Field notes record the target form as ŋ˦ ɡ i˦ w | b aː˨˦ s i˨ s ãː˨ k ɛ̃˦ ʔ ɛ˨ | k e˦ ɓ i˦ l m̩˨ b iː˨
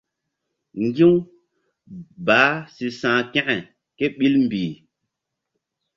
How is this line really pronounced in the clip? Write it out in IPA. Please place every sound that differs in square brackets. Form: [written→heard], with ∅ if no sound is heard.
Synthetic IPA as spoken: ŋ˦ ɡ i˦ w | b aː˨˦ s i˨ s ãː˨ k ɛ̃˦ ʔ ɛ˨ | k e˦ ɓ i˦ l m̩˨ b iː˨